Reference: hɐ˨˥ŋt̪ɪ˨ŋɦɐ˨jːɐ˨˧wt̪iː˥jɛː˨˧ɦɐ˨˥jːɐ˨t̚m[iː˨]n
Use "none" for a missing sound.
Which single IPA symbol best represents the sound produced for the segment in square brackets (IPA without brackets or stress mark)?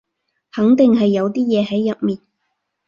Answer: iː˨